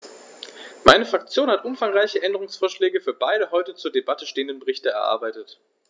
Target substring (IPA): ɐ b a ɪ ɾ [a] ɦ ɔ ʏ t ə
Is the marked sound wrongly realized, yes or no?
yes